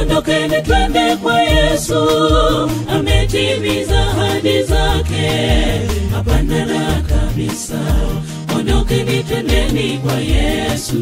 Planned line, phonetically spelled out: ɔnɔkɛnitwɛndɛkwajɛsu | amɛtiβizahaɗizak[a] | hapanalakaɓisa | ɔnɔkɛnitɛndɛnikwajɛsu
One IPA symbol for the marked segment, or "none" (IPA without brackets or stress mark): ɛ